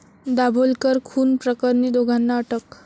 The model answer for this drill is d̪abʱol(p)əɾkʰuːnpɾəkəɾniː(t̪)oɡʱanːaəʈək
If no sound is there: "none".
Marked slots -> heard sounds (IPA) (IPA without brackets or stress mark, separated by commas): k, d̪